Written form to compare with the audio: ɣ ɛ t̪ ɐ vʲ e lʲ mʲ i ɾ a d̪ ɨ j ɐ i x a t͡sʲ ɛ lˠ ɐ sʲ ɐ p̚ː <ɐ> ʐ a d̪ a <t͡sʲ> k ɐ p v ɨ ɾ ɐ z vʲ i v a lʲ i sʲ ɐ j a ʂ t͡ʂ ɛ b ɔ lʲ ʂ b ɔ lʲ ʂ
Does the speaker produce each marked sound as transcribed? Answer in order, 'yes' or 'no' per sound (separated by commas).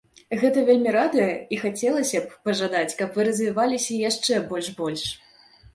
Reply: yes, yes